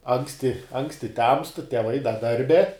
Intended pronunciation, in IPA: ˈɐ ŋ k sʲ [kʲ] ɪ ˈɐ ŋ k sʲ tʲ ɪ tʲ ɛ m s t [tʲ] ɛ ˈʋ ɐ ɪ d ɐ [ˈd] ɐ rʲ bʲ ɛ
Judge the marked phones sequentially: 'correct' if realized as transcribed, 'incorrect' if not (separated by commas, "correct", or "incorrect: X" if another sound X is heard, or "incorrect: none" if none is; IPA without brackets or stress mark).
incorrect: tʲ, correct, correct